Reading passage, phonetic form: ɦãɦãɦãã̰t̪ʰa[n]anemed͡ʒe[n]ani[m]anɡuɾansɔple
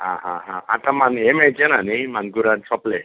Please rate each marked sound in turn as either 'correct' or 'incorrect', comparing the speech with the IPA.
incorrect: m, correct, correct

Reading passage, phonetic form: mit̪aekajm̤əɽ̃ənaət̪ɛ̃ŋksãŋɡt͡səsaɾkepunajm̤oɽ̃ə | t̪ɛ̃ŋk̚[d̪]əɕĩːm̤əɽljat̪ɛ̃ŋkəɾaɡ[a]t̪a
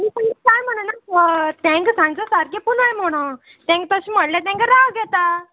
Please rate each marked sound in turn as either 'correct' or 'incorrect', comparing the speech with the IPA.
incorrect: t̪, incorrect: ɛ

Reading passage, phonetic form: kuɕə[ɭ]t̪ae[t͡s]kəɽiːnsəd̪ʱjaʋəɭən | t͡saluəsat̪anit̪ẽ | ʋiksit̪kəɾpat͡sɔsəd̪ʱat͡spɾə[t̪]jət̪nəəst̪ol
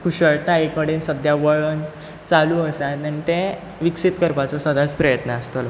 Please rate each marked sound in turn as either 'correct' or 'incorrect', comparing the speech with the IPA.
correct, incorrect: none, incorrect: none

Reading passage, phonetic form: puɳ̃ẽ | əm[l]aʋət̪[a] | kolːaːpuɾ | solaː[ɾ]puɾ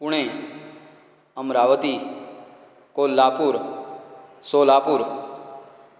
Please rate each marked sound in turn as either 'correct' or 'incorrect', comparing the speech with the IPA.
incorrect: ɾ, incorrect: i, incorrect: none

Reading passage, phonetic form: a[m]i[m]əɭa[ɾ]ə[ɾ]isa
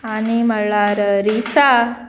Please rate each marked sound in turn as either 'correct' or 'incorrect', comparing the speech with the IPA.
incorrect: n, correct, correct, correct

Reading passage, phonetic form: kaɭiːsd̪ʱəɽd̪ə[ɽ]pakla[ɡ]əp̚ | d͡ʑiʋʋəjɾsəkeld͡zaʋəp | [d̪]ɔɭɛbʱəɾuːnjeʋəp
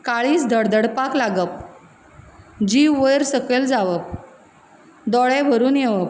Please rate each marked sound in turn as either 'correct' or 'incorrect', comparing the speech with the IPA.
correct, correct, correct

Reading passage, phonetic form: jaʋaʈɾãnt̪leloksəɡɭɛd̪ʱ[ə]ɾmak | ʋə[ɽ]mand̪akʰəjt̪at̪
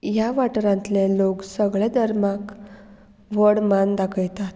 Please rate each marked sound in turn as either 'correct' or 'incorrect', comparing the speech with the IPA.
correct, correct

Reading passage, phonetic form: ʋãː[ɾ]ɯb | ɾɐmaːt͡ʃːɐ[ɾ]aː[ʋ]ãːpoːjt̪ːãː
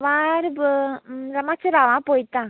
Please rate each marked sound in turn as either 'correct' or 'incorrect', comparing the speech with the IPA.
correct, correct, correct

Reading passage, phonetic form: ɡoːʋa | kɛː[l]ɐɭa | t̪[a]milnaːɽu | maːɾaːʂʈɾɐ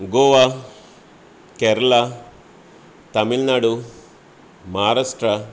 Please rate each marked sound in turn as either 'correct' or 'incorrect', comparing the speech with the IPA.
incorrect: ɾ, incorrect: ɐ

